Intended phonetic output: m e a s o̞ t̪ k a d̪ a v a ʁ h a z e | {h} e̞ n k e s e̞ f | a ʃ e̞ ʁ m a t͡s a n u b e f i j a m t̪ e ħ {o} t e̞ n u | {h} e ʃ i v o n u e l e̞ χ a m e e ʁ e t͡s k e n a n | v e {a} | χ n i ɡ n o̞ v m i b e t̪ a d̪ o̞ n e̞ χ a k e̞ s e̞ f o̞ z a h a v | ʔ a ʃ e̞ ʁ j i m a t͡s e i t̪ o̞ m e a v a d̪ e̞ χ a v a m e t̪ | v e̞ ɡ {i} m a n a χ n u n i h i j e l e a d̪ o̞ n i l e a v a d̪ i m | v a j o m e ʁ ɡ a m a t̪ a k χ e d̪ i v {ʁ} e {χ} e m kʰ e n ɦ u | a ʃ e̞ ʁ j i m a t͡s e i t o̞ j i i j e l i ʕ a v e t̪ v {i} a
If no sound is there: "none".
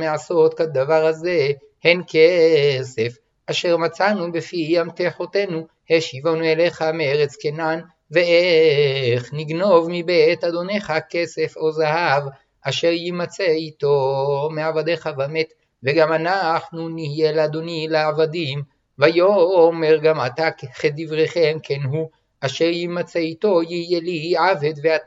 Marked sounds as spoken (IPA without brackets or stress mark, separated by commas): h, o, h, e, a, ʁ, χ, e